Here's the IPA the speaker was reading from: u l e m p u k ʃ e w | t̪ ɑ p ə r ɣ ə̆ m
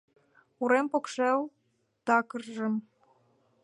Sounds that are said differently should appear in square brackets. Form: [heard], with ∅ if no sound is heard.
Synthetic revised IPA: u [ɾ] e m p [o] k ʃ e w | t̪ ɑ [k] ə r [ʒ] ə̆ m